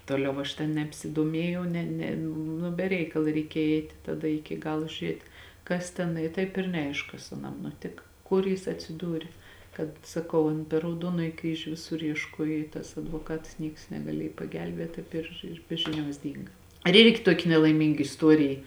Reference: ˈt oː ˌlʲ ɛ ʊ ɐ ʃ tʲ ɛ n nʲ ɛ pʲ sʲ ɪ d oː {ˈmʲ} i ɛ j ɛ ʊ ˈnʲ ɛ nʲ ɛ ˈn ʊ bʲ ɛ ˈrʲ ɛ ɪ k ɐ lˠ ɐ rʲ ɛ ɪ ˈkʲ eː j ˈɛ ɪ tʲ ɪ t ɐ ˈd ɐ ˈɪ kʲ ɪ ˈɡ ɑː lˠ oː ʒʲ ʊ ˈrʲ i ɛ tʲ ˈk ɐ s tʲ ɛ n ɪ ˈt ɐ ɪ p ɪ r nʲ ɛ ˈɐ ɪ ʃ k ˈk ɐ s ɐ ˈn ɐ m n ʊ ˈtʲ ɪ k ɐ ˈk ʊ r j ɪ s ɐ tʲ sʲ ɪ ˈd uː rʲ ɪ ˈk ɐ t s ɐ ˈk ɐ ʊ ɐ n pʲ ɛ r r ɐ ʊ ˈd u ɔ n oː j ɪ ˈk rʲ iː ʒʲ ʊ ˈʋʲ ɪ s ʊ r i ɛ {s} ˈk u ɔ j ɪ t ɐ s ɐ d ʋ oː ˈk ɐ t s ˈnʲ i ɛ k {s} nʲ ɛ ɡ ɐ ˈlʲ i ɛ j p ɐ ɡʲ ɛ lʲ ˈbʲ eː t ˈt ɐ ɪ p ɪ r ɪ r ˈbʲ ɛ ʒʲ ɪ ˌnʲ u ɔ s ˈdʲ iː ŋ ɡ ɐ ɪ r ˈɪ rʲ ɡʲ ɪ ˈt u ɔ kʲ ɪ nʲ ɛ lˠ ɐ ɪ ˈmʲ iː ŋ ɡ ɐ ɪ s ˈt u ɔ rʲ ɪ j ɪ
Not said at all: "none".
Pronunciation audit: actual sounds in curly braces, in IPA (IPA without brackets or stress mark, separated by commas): mʲ, ʃ, s